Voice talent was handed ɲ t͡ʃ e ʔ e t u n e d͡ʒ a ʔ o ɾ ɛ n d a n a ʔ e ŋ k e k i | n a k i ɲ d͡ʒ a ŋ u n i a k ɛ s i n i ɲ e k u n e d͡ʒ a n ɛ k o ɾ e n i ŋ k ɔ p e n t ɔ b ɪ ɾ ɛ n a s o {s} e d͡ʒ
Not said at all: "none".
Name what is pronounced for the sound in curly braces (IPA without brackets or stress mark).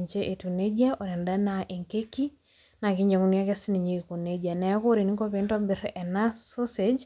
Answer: s